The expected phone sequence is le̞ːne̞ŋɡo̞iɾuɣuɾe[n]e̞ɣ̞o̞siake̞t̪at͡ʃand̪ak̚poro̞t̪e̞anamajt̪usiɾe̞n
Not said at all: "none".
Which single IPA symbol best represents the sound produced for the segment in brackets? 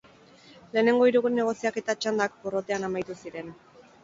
n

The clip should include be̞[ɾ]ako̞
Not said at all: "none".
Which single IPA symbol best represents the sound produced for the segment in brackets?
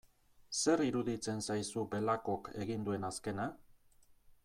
l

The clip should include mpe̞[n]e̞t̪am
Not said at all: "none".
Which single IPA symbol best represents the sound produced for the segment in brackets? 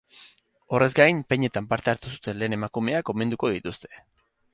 ɲ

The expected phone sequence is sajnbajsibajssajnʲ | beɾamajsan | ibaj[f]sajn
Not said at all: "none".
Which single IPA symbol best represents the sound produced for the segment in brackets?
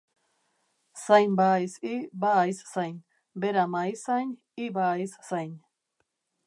s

